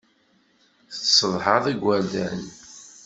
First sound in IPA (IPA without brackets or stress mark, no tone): θ